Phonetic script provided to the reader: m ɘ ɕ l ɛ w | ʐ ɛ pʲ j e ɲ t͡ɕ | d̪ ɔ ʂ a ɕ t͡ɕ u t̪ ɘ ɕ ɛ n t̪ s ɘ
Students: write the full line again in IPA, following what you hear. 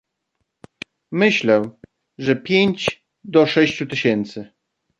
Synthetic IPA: m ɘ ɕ l ɛ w | ʐ ɛ pʲ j e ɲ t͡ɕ | d̪ ɔ ʂ ɛ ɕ t͡ɕ u t̪ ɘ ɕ ɛ n t̪ s ɘ